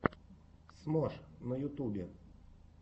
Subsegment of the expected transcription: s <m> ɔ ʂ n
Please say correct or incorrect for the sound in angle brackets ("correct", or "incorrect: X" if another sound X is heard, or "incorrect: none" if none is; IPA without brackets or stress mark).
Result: correct